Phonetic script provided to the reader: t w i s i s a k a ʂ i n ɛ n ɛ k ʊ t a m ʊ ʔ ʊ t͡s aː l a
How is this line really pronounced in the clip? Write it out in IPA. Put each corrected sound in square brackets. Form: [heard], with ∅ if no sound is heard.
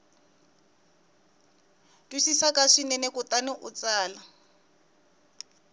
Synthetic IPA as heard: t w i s i s a k a ʂ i n ɛ n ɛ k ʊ t a [n] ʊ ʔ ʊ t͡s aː l a